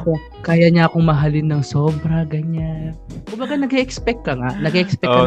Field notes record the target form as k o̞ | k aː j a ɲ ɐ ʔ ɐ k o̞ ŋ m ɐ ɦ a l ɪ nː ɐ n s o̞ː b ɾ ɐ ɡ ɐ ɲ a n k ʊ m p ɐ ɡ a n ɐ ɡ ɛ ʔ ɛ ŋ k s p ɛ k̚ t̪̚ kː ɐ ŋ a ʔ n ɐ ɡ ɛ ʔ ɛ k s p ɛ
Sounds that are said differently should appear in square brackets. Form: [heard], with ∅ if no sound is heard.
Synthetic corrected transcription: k o̞ | k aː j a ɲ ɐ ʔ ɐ k o̞ ŋ m ɐ ɦ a l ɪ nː ɐ [ŋ] s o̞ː b ɾ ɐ ɡ ɐ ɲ a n k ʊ m [b] ɐ ɡ a n ɐ ɡ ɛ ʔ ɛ [∅] k s p ɛ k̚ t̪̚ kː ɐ ŋ a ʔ n ɐ ɡ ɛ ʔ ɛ k s p ɛ